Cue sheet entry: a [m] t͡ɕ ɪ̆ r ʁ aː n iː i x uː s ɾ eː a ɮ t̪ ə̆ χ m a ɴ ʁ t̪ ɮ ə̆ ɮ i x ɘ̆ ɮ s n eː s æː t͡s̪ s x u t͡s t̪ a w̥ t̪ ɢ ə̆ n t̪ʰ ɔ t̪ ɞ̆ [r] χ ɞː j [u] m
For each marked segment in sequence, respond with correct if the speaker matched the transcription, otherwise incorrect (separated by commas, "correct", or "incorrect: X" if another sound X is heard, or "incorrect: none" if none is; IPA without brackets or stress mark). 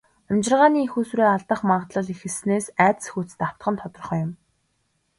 correct, correct, incorrect: ʊ